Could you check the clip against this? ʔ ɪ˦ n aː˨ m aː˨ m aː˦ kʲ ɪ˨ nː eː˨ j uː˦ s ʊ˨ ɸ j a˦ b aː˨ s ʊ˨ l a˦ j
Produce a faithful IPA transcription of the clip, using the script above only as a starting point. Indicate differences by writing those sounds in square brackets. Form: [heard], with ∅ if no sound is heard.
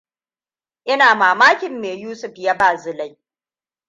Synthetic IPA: ʔ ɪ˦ n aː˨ m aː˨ m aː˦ kʲ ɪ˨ [mː] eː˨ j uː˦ s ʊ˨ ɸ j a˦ b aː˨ [z] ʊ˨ l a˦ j